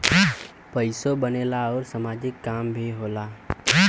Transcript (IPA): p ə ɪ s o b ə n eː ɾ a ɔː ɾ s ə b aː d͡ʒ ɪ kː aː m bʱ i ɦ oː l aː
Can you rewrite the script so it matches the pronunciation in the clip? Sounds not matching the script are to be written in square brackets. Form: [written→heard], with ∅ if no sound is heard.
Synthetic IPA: p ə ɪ s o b ə n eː [ɾ→l] a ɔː ɾ s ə [b→m] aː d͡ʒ ɪ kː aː m bʱ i ɦ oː l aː